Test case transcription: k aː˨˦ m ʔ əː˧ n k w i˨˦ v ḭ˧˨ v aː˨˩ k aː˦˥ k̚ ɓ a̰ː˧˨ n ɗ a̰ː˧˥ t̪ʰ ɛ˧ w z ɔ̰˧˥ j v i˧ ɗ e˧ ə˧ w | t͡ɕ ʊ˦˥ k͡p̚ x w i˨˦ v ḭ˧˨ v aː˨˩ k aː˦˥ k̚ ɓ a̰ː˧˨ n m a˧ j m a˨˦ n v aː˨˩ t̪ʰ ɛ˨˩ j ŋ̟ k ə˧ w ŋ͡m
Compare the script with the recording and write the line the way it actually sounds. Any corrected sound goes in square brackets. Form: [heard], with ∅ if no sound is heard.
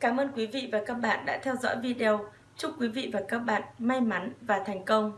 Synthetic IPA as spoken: k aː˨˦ m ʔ əː˧ n k w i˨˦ v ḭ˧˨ v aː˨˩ k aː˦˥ k̚ ɓ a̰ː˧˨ n ɗ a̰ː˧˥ t̪ʰ ɛ˧ w z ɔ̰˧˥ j v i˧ ɗ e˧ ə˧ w | t͡ɕ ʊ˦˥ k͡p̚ [k] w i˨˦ v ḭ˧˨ v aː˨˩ k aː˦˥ k̚ ɓ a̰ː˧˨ n m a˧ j m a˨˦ n v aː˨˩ t̪ʰ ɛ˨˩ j ŋ̟ k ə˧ w ŋ͡m

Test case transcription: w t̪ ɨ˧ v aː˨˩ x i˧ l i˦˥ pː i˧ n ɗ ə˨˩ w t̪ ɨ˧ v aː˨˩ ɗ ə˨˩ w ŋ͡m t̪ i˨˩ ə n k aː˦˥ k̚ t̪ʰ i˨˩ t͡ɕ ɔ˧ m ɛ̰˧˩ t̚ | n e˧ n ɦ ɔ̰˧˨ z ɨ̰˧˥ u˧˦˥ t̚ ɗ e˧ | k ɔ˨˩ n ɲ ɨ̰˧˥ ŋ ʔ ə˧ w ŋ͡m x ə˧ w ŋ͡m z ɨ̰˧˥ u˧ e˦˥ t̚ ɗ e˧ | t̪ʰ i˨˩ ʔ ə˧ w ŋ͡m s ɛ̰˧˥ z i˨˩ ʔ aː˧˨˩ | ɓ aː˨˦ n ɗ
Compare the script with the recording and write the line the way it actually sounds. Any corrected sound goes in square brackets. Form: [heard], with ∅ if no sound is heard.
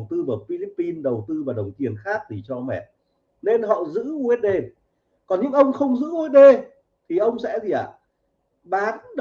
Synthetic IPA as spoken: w t̪ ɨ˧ v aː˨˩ [f] i˧ l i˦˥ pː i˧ n ɗ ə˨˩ w t̪ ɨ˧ v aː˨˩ ɗ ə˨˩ w ŋ͡m t̪ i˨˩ ə n [x] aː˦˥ k̚ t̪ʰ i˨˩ t͡ɕ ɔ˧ m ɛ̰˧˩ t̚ | n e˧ n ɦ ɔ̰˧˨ z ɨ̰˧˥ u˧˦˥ t̚ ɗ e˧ | k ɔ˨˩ n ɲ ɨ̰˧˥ ŋ ʔ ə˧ w ŋ͡m x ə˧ w ŋ͡m z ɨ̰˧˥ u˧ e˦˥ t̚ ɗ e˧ | t̪ʰ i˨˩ ʔ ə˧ w ŋ͡m s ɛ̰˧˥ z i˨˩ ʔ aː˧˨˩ | ɓ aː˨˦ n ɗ

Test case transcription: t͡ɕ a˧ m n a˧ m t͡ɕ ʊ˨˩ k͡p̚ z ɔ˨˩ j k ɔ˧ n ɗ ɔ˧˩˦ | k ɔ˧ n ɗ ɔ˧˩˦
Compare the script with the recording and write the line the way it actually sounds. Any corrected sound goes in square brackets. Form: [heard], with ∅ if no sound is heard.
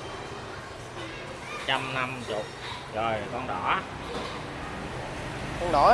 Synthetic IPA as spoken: t͡ɕ a˧ m n a˧ m t͡ɕ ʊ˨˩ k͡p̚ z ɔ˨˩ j k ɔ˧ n ɗ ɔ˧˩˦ | k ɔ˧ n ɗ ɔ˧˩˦

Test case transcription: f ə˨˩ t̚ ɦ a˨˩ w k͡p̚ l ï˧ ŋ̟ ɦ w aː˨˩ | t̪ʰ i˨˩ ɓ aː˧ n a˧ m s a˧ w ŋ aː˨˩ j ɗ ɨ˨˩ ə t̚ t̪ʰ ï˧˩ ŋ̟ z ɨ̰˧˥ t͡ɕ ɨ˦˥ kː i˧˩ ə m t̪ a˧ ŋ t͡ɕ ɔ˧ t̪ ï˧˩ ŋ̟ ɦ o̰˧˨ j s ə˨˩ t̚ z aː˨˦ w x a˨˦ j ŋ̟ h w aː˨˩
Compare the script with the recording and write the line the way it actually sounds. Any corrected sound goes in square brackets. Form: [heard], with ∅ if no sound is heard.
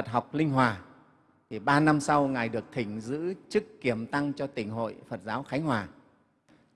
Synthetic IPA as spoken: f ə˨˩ t̚ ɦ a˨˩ w k͡p̚ l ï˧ ŋ̟ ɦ w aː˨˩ | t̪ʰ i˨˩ ɓ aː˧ n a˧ m s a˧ w ŋ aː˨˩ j ɗ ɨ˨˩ ə [k̚] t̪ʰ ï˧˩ ŋ̟ z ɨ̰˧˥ t͡ɕ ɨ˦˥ kː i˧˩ ə m t̪ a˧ ŋ t͡ɕ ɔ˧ t̪ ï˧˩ ŋ̟ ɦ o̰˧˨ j [f] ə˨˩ t̚ z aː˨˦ w x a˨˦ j ŋ̟ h w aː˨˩

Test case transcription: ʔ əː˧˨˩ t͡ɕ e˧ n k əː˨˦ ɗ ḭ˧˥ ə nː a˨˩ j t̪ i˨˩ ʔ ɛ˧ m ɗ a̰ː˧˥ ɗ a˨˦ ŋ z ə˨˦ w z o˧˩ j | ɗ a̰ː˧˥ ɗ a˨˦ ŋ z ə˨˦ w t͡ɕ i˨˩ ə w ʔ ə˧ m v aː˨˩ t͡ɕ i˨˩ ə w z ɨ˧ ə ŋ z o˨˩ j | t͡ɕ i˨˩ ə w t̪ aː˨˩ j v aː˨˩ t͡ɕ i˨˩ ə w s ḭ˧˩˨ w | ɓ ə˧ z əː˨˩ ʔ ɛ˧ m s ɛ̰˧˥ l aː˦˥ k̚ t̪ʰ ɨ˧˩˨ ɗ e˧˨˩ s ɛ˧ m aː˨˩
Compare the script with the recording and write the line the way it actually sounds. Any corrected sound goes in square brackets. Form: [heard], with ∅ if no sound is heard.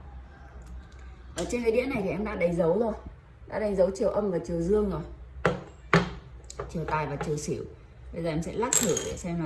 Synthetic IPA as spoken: ʔ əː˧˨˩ t͡ɕ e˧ n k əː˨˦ ɗ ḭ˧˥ ə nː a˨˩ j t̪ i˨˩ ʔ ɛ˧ m ɗ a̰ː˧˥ ɗ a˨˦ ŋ z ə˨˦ w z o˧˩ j | ɗ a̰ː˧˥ ɗ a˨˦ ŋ z ə˨˦ w t͡ɕ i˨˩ ə w ʔ ə˧ m v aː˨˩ t͡ɕ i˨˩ ə w z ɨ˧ ə ŋ z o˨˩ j | t͡ɕ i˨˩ ə w t̪ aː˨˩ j v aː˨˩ t͡ɕ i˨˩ ə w s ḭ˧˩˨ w | ɓ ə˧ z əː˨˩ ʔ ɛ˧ m s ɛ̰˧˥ l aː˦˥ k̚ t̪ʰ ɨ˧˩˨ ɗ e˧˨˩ s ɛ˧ m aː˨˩

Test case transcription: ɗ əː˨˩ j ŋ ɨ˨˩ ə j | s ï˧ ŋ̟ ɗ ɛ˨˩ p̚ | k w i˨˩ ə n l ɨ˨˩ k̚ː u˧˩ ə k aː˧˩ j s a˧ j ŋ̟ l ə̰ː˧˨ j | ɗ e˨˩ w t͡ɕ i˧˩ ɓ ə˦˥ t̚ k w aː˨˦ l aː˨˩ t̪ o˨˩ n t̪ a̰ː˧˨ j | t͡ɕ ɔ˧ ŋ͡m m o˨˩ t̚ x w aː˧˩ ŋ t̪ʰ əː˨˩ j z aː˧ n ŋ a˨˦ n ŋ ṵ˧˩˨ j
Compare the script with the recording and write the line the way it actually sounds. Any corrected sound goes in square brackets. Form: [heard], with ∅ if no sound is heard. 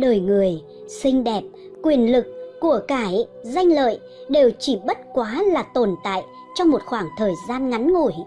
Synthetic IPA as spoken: ɗ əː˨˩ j ŋ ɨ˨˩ ə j | s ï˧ ŋ̟ ɗ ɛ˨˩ p̚ | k w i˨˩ ə n l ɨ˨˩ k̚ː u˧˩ ə k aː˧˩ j [z] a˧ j ŋ̟ l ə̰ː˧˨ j | ɗ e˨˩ w t͡ɕ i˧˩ ɓ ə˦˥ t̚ k w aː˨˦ l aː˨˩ t̪ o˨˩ n t̪ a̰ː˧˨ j | t͡ɕ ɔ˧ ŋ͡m m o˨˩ t̚ x w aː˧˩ ŋ t̪ʰ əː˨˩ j z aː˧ n ŋ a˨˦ n ŋ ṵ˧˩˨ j

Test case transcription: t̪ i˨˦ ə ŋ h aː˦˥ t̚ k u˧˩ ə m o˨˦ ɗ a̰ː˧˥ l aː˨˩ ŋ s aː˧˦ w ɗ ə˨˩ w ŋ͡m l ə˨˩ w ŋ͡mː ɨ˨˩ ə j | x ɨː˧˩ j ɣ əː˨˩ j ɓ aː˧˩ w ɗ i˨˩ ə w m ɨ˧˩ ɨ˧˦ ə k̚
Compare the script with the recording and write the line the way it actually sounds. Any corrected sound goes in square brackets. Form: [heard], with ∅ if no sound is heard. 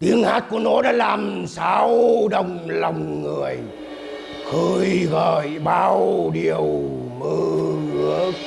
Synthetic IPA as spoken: t̪ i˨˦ ə ŋ h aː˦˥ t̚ k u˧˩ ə [n] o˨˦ ɗ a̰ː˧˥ l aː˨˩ [m] s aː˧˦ w ɗ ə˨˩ w ŋ͡m l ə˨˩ w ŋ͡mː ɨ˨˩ ə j | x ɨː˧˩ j ɣ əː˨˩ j ɓ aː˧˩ w ɗ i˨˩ ə w m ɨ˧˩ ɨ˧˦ ə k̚

